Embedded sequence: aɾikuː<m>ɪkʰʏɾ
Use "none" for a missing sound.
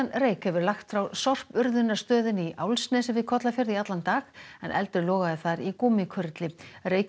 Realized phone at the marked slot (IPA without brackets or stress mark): m